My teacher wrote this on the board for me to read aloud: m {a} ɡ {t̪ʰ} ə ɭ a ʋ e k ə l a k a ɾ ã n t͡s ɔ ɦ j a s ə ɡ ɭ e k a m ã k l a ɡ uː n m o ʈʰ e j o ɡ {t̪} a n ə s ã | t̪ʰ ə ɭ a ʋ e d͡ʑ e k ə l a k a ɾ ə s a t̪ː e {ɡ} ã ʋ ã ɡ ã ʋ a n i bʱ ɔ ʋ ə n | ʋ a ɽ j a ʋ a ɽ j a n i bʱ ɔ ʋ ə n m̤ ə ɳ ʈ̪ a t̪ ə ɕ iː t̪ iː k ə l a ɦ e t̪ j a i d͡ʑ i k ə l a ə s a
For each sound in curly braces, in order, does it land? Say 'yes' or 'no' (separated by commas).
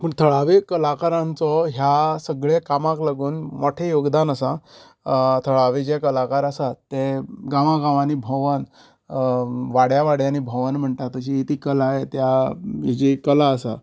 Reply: no, yes, no, yes